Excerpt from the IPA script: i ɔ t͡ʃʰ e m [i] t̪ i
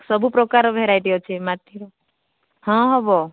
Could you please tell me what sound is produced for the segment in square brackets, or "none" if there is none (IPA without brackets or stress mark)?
a